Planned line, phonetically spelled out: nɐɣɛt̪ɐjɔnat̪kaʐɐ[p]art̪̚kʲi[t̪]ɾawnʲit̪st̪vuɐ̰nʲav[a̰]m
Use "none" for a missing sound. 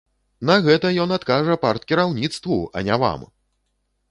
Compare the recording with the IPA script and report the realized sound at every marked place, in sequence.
p, none, a̰

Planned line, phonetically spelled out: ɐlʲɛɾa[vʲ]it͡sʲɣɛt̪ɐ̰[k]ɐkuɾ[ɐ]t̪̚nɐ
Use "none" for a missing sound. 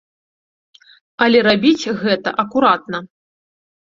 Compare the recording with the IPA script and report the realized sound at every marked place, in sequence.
bʲ, ʔ, a

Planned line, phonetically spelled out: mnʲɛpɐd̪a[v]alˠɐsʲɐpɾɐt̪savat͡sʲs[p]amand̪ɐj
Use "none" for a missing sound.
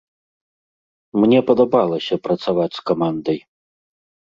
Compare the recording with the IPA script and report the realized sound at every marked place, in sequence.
b, k

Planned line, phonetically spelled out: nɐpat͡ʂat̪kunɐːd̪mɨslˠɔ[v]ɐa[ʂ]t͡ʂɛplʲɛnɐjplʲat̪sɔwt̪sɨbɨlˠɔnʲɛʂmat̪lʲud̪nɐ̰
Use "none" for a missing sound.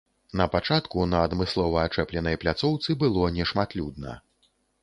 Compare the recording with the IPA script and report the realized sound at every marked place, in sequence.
v, none

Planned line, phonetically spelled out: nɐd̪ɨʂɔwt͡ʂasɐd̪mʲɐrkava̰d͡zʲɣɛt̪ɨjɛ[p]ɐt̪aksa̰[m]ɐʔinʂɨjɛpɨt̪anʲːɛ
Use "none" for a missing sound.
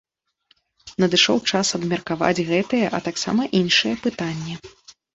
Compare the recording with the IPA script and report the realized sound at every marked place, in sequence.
ʔ, m

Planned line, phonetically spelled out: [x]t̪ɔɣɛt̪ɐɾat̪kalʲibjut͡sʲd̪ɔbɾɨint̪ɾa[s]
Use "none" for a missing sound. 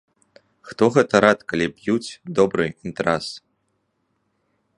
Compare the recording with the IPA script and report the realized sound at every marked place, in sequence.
x, s

